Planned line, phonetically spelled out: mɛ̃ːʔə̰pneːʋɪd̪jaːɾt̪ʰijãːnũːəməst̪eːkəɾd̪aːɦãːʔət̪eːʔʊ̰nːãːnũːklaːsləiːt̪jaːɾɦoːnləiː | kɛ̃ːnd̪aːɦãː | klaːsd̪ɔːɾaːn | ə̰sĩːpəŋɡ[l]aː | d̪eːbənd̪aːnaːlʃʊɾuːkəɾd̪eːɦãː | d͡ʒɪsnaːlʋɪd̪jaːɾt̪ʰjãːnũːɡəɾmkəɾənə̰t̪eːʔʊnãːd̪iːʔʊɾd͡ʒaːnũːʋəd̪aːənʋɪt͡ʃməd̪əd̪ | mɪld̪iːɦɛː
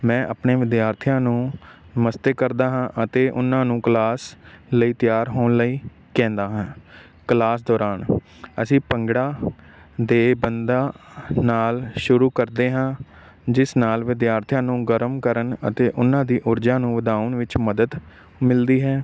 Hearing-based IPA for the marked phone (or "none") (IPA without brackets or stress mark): ɽ